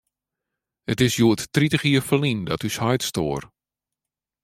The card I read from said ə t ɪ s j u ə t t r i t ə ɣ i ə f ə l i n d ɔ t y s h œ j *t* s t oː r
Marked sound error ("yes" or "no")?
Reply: no